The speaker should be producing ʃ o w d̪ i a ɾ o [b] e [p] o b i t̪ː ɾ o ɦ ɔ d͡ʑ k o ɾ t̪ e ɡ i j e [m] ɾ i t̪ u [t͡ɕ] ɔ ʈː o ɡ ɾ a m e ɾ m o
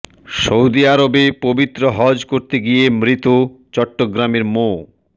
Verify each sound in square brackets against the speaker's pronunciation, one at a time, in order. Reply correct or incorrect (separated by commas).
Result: correct, correct, correct, correct